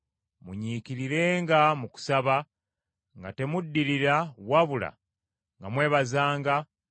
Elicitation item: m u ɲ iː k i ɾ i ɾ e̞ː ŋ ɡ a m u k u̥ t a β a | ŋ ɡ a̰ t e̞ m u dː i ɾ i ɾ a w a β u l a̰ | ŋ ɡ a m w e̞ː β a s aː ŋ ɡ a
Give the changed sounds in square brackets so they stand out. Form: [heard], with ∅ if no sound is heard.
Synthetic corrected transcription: m u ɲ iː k i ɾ i ɾ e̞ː ŋ ɡ a m u k u̥ [s] a β a | ŋ ɡ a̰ t e̞ m u dː i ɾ i ɾ a w a β u l a̰ | ŋ ɡ a m w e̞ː β a [z] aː ŋ ɡ a